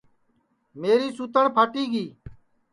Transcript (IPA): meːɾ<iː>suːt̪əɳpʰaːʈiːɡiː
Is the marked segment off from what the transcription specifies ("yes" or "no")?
no